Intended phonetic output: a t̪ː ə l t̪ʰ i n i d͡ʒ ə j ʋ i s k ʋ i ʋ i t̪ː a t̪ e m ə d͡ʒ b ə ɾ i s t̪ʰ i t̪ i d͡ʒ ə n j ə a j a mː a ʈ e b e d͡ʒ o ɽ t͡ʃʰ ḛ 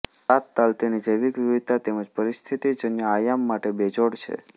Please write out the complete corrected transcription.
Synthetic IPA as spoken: a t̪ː a l t̪ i n i d͡ʒ ə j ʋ i k ʋ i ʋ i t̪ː a t̪ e m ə d͡ʒ p ə ɾ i s t̪ʰ i t̪ i d͡ʒ ə n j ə a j a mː a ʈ e b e d͡ʒ o ɽ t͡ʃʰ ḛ